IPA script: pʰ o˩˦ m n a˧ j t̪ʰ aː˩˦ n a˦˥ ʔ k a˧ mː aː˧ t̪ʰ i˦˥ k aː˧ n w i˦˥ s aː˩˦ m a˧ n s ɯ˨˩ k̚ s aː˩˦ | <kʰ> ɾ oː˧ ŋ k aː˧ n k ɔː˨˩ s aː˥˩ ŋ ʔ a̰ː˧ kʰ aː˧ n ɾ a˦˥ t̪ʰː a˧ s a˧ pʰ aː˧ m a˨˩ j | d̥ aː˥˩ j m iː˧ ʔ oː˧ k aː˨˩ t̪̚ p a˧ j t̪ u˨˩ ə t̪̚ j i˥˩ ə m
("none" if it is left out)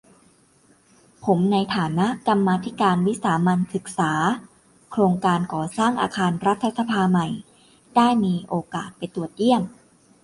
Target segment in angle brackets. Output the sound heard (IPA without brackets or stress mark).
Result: kʰ